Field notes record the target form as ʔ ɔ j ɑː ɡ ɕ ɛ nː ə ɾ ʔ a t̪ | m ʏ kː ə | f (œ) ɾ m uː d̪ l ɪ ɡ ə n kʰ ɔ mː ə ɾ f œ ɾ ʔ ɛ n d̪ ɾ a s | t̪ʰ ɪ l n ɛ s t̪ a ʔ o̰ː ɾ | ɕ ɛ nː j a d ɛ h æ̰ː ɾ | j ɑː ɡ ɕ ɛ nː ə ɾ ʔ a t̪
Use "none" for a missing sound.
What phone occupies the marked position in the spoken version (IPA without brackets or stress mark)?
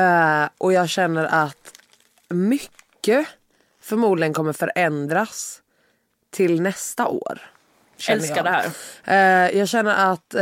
œ